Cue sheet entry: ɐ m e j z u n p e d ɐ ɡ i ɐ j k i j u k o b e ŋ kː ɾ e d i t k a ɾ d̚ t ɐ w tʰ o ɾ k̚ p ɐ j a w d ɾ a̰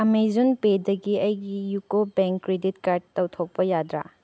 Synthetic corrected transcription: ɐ m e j z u n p e d ɐ ɡ i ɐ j ɡ i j u k o b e ŋ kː ɾ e d i t k a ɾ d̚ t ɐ w tʰ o k̚ p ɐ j a d ɾ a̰